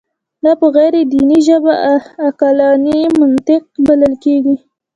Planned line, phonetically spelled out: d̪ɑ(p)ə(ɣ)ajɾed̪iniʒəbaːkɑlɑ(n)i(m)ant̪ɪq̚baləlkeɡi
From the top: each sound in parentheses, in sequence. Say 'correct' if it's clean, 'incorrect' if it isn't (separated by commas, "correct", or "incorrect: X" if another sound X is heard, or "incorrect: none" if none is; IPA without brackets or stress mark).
correct, correct, correct, correct